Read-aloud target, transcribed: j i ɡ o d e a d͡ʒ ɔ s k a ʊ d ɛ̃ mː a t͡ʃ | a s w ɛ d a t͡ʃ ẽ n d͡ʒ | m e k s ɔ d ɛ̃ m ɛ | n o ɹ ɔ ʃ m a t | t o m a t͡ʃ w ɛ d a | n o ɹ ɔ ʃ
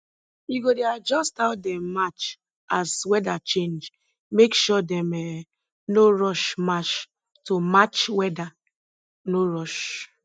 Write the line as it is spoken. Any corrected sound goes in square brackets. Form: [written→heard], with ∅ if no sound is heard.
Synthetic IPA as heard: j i ɡ o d e a d͡ʒ ɔ s [k→t] a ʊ d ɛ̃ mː a t͡ʃ | a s w ɛ d a t͡ʃ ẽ n d͡ʒ | m e k [s→ʃ] ɔ d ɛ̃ m ɛ | n o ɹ ɔ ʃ m a [t→t͡ʃ] | t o m a t͡ʃ w ɛ d a | n o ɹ ɔ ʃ